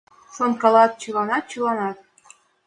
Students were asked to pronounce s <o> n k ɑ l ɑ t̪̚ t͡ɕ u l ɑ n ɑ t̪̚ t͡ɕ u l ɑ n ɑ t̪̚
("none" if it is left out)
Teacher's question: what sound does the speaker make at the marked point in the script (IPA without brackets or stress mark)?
o